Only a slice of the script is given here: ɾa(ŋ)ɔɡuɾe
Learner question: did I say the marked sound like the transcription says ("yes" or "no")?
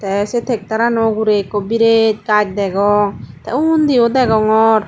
no